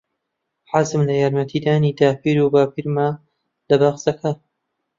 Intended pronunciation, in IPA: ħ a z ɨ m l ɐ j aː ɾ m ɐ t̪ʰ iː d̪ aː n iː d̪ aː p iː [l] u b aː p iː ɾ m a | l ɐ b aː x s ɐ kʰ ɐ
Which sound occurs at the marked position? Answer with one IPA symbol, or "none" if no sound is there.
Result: ɾ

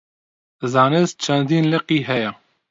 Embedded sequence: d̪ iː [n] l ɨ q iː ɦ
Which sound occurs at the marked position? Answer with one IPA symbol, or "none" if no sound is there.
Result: n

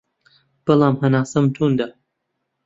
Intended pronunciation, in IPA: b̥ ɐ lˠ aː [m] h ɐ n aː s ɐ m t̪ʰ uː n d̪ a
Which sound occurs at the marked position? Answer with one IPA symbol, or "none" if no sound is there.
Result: m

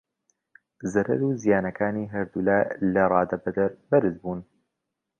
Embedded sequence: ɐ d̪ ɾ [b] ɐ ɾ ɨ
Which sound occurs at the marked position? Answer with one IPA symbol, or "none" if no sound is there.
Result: b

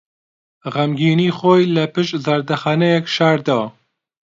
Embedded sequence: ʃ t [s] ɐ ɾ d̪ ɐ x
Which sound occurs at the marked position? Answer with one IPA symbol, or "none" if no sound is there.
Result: z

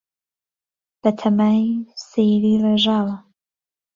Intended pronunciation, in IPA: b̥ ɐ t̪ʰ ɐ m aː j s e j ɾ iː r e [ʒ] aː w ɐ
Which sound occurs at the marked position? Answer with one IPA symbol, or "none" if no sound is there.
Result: ʒ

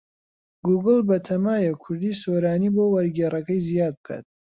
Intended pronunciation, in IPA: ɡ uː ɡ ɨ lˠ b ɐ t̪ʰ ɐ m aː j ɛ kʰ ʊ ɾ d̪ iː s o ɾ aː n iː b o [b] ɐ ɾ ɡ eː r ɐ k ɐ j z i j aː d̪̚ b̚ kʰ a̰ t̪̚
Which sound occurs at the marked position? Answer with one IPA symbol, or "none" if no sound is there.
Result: w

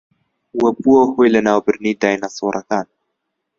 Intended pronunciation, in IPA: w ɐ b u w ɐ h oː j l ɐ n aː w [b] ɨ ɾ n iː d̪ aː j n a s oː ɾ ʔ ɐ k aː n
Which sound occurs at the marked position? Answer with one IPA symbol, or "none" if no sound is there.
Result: b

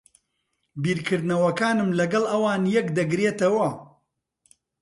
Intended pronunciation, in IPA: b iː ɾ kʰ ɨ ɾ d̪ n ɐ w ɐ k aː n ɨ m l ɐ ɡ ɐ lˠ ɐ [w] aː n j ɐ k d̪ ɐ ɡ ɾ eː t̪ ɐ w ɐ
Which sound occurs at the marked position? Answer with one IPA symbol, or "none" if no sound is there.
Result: w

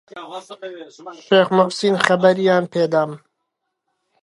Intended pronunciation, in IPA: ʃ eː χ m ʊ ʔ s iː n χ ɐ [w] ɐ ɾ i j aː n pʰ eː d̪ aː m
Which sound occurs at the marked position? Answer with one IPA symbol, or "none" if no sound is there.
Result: b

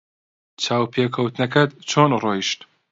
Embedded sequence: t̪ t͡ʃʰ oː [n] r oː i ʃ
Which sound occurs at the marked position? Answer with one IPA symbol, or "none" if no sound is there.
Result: n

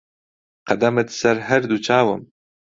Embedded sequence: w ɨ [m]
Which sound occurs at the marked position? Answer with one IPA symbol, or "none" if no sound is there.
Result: m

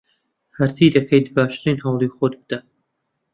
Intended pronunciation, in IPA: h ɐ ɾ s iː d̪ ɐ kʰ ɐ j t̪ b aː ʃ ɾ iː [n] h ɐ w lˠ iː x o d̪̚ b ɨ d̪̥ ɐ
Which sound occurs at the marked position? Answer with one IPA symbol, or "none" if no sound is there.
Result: n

